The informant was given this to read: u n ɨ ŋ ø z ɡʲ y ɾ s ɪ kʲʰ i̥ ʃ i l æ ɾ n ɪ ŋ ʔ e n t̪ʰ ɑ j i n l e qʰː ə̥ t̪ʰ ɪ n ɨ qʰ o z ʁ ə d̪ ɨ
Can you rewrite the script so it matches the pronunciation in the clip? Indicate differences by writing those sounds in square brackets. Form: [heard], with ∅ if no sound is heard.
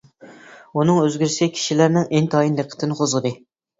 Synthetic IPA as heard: u n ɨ ŋ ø z ɡʲ y ɾ s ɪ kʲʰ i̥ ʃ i l æ ɾ n ɪ ŋ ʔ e n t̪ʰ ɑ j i n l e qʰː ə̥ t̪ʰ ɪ n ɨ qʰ o z ʁ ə d̪ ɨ